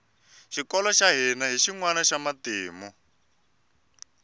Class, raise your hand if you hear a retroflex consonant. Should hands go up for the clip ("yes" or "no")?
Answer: no